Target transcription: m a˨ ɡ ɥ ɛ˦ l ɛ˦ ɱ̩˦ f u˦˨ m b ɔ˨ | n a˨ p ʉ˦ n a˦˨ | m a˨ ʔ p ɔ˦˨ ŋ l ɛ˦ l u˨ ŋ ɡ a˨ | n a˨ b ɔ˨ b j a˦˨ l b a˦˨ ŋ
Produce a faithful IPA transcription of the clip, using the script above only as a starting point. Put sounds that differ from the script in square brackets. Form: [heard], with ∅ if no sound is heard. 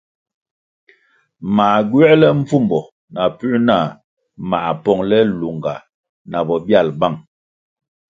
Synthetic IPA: m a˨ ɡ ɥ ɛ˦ l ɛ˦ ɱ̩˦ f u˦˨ m b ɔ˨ | n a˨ p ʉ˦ n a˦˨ | m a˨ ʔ p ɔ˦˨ ŋ l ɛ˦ l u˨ ŋ ɡ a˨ | n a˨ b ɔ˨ b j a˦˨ l b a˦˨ ŋ